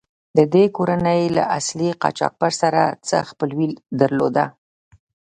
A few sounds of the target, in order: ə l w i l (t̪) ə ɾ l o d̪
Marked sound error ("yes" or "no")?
yes